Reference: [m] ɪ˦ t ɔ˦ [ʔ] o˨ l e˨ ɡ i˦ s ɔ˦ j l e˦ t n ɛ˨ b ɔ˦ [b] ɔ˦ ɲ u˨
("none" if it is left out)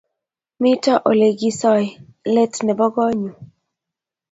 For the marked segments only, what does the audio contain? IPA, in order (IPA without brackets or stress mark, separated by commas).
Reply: m, ʔ, ɡ